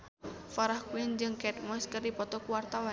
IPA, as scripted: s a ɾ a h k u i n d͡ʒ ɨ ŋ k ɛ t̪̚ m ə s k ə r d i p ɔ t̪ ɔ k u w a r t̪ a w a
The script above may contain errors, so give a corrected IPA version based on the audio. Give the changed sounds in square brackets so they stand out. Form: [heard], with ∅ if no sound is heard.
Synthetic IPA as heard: [f] a ɾ a h k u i n d͡ʒ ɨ ŋ k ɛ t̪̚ m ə s k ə r d i p ɔ t̪ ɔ k u w a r t̪ a w a